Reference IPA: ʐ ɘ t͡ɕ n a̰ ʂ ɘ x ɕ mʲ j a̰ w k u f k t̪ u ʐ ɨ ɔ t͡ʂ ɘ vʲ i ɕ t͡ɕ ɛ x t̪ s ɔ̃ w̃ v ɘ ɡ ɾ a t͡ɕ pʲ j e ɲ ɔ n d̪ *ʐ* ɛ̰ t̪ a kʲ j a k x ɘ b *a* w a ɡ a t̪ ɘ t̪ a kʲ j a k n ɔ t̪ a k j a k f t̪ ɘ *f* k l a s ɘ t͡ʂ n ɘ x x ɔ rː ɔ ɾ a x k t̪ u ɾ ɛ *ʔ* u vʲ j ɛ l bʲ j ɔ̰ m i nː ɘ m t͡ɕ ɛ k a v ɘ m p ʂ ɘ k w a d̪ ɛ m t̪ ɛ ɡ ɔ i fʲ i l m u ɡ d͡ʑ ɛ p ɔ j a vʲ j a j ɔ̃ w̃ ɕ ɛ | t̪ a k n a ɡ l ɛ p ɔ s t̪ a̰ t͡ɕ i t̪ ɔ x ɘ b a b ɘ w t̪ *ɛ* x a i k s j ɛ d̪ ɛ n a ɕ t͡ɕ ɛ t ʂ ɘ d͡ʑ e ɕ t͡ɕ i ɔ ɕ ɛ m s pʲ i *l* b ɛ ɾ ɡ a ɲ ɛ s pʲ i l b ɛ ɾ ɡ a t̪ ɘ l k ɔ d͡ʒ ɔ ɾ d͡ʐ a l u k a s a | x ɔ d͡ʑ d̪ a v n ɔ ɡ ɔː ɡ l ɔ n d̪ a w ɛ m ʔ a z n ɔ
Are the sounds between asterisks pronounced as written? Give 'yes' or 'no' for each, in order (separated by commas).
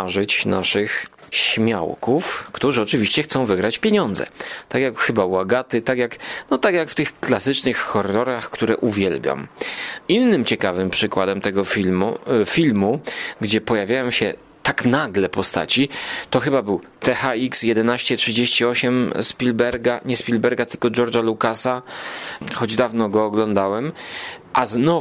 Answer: no, yes, no, yes, yes, yes